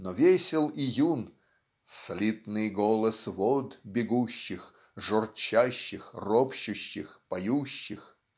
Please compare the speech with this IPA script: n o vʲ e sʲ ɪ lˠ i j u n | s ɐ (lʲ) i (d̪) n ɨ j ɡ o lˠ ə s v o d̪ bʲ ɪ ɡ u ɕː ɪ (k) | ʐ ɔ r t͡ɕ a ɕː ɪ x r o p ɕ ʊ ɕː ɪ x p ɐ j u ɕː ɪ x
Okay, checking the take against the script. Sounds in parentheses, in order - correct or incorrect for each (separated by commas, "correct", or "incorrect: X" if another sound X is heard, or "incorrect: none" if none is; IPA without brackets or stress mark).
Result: correct, incorrect: t̪, incorrect: x